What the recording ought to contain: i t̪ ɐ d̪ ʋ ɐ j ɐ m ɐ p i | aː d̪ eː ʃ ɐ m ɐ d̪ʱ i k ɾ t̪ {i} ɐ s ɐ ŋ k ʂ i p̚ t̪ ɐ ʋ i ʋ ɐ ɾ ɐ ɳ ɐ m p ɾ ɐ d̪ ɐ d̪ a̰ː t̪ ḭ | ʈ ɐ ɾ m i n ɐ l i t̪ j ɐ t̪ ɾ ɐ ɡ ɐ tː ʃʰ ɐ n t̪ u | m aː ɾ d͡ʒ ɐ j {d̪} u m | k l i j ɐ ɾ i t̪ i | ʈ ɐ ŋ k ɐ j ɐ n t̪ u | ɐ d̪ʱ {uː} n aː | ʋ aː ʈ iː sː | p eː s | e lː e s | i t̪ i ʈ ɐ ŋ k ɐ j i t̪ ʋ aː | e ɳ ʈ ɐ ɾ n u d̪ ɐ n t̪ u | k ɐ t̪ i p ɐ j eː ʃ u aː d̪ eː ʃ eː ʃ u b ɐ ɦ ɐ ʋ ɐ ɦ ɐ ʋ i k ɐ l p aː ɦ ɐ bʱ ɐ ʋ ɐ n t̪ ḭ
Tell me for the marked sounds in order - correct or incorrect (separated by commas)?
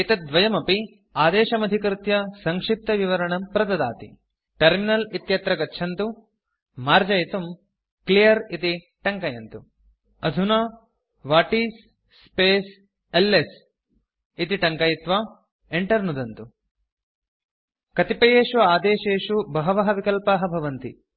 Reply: incorrect, incorrect, incorrect